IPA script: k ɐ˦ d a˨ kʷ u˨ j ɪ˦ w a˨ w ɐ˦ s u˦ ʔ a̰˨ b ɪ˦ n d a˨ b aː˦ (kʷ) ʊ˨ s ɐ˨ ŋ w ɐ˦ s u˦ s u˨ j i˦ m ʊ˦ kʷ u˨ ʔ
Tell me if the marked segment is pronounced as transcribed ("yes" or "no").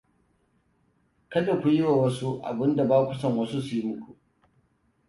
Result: yes